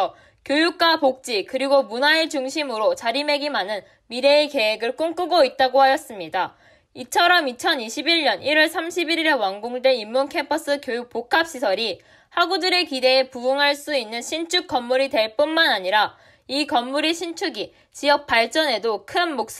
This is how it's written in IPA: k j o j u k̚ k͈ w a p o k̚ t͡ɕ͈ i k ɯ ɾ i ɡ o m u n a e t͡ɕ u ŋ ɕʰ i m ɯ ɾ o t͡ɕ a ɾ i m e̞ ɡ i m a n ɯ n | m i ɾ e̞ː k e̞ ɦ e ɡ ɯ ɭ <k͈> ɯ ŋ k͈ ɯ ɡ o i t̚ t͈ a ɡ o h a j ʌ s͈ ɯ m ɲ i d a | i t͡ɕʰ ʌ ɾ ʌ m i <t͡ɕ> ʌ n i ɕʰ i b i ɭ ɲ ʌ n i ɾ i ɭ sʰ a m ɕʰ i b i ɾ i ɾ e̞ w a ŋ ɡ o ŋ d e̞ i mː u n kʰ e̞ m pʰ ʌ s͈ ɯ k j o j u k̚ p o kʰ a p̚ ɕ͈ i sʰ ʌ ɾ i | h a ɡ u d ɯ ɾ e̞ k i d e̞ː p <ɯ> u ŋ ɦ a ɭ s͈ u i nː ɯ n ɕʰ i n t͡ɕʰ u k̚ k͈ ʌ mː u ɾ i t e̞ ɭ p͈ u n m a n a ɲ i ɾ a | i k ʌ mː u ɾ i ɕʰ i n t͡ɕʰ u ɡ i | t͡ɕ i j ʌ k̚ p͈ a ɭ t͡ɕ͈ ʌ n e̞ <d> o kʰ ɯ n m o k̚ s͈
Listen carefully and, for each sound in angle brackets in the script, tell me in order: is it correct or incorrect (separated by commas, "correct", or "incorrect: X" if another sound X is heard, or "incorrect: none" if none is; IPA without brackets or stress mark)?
correct, incorrect: t͡ɕʰ, incorrect: u, correct